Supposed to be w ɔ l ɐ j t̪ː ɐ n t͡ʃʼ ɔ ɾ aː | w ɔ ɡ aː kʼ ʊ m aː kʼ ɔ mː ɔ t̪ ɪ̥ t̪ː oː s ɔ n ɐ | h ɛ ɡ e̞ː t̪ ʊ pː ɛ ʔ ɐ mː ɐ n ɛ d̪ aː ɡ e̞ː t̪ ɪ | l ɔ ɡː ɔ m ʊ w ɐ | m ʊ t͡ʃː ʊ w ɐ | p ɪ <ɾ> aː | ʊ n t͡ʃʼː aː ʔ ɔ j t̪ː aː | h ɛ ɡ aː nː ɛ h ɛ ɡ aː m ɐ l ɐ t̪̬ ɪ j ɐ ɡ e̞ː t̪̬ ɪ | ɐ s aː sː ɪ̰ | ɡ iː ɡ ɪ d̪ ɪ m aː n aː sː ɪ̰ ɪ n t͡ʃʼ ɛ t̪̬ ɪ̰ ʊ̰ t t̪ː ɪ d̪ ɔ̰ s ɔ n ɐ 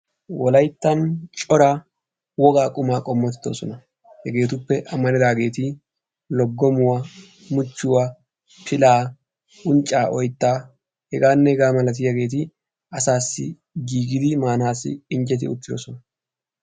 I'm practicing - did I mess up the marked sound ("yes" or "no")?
yes